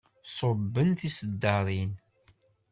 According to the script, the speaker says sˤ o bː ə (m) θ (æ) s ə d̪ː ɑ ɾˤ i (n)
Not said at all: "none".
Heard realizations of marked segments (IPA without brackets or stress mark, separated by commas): n, i, n